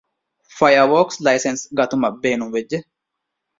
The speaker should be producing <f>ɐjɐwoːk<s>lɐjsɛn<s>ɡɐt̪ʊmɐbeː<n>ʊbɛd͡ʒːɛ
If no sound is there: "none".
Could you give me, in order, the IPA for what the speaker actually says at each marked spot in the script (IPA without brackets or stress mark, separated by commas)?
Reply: f, s, s, n